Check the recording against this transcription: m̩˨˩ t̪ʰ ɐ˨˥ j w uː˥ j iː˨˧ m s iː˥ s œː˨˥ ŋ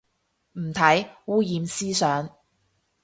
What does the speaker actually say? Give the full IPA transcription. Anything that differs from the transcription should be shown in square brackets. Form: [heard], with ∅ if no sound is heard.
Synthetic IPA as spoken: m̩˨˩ t̪ʰ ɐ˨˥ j w uː˥ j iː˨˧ m s iː˥ s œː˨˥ ŋ